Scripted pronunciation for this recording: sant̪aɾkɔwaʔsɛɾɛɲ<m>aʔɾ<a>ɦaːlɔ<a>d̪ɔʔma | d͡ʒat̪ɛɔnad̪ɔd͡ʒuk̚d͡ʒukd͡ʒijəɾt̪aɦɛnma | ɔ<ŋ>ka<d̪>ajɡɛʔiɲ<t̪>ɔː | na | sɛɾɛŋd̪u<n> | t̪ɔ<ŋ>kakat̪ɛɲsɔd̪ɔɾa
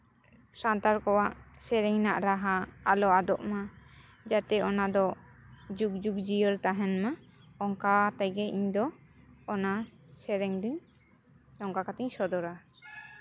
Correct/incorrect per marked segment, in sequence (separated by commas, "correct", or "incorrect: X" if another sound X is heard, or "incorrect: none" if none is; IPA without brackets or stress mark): incorrect: n, correct, correct, correct, incorrect: t̪, incorrect: d̪, incorrect: ɲ, correct